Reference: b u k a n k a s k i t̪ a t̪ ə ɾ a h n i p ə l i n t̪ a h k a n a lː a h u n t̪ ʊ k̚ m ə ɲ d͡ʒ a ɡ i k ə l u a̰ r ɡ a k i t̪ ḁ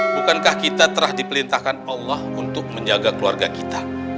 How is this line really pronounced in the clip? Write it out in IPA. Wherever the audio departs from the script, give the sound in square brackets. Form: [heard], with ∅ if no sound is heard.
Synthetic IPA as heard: b u k a n k a [h] k i t̪ a t̪ ə ɾ a h [d] i p ə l i n t̪ a h k a n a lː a h u n t̪ ʊ k̚ m ə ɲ d͡ʒ a ɡ [a] k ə l u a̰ r ɡ a k i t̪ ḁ

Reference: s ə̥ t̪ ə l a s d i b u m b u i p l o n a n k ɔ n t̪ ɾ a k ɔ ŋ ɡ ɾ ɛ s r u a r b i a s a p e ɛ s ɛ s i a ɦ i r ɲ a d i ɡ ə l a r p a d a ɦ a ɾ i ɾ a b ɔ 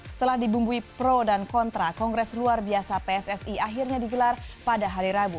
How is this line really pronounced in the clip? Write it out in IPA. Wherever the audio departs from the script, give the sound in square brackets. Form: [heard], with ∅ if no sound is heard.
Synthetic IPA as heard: s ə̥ t̪ ə l a [h] d i b u m b u i p [ɾ] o [d] a n k ɔ n t̪ ɾ a k ɔ ŋ ɡ ɾ ɛ s [l] u a r b i a s a p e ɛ s ɛ s i a ɦ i r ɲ a d i ɡ ə l a r p a d a ɦ a ɾ i ɾ a b [u]

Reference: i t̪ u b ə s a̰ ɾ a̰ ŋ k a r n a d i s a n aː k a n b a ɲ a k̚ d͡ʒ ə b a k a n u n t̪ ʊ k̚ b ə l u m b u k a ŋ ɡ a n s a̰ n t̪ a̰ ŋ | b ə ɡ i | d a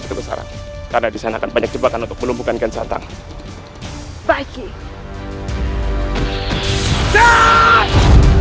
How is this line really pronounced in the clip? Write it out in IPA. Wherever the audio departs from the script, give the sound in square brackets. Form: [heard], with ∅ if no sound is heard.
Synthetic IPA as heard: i t̪ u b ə s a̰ ɾ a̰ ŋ k a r n a d i s a n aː k a n b a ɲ a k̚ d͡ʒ ə b a k a n u n t̪ ʊ k̚ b ə l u m b u k a [n] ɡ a n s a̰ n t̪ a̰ ŋ | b [a] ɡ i | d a

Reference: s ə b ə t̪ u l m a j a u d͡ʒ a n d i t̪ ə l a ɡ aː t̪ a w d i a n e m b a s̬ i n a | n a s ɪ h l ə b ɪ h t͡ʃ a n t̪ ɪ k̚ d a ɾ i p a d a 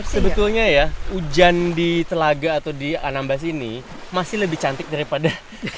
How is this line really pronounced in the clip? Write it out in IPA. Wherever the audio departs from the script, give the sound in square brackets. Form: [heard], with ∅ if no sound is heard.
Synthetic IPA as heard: s ə b ə t̪ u l [ɲ] a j a u d͡ʒ a n d i t̪ ə l a ɡ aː t̪ a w d i a n [a] m b a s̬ i n [i] | [m] a s ɪ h l ə b ɪ h t͡ʃ a n t̪ ɪ k̚ d a ɾ i p a d a

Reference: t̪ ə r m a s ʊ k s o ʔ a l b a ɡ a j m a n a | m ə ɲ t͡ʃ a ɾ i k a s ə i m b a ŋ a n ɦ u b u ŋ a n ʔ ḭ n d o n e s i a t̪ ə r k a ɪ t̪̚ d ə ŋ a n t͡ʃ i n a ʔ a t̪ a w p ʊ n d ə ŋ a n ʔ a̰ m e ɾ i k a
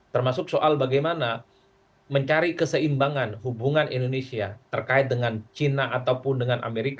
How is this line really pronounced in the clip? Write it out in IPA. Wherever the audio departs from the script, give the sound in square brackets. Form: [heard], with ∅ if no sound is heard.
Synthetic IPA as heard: t̪ ə r m a s ʊ k s o ʔ a l b a ɡ a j m a n a | m ə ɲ t͡ʃ a ɾ i k [ə] s ə i m b a ŋ a n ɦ u b u ŋ a n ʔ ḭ n d o n e s i a t̪ ə r k a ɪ t̪̚ d ə ŋ a n t͡ʃ i n a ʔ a t̪ a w p ʊ n d ə ŋ a n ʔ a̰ m e ɾ i k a

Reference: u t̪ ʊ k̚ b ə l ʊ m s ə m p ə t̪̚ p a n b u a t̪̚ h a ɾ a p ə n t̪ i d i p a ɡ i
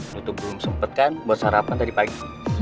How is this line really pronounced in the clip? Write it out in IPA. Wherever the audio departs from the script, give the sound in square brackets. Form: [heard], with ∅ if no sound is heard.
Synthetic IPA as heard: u t̪ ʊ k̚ b ə l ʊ m s ə m p ə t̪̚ [k] a n b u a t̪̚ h a ɾ a p [a] n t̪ [a] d i p a ɡ i

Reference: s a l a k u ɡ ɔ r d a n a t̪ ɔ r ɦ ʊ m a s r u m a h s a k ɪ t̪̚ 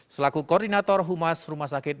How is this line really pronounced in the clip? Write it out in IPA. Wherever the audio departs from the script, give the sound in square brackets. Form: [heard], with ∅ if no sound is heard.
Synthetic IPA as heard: s [ə] l a k u [k] ɔ r d [i] n a t̪ ɔ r ɦ [u] m a s r u m a h s a k ɪ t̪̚

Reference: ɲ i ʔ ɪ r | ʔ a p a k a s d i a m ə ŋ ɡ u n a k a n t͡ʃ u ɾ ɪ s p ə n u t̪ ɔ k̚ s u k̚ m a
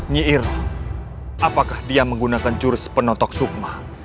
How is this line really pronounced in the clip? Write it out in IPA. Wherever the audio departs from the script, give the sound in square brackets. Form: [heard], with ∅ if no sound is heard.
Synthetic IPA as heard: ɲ i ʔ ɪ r | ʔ a p a k a [h] d i a m ə ŋ ɡ u n a k a n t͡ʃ u ɾ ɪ s p ə n [ɔ] t̪ ɔ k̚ s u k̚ m a

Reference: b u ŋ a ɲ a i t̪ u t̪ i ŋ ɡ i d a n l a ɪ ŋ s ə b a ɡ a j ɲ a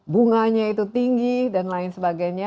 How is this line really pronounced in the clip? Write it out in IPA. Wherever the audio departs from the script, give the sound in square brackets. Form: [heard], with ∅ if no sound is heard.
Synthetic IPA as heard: b u ŋ a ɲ a i t̪ u t̪ i ŋ ɡ i d a n l a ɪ [n] s ə b a ɡ a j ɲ a

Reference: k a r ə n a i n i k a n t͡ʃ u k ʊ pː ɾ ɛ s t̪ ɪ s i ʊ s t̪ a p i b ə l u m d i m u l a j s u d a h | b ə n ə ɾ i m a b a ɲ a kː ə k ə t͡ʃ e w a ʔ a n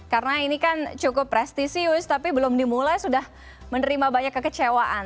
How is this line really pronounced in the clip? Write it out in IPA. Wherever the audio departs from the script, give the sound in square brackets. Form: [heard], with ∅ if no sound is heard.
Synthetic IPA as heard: k a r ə n a i n i k a n t͡ʃ u k ʊ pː ɾ ɛ s t̪ [i] s i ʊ s t̪ a p i b ə l [ʊ] m d i m u l a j s u d a h | [m] ə n ə ɾ i m a b a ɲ a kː ə k ə t͡ʃ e w a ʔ a n

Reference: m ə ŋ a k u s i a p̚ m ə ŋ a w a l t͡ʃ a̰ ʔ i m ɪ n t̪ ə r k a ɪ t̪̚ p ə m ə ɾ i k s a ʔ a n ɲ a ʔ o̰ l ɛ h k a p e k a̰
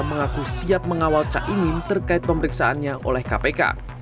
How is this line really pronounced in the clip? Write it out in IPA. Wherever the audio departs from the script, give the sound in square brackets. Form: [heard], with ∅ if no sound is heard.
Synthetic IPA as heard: m ə ŋ a k u s i a p̚ m ə ŋ a w a l t͡ʃ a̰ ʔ i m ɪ n t̪ ə r k a ɪ t̪̚ p ə m ə ɾ i k s a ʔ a n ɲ a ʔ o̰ l ɛ h k a p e k a̰

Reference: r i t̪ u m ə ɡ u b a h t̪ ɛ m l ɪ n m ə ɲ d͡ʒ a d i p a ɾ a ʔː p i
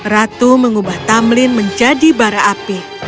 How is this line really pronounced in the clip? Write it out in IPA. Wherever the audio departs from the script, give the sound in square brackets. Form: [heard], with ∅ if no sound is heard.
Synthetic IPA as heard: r [a] t̪ u m ə [ŋ] u b a h t̪ [a] m l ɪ n m ə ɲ d͡ʒ a d i [b] a ɾ a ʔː p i

